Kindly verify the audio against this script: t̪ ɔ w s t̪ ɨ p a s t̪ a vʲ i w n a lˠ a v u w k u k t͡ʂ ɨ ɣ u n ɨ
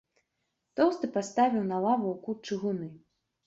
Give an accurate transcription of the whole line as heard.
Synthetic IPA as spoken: t̪ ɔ w s t̪ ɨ p a s t̪ a vʲ i w n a lˠ a v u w k u t͡ʂ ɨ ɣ u n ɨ